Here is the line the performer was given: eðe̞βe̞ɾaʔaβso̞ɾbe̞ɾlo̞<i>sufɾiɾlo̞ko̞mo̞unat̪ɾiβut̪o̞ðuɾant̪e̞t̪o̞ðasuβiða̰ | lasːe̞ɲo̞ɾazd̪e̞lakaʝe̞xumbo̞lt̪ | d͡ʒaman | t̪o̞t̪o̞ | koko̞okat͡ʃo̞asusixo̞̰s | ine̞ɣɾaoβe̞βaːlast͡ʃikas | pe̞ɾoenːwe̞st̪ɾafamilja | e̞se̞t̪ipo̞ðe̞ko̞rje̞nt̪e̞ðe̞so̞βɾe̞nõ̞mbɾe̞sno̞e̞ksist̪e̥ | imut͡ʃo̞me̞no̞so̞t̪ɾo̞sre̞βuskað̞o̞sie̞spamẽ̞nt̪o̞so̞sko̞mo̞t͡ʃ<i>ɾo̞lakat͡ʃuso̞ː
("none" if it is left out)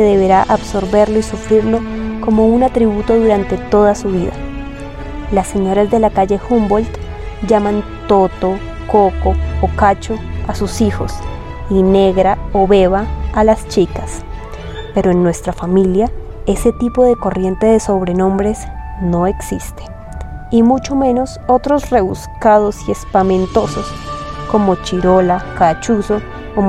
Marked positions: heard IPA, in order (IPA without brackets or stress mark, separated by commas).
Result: i, i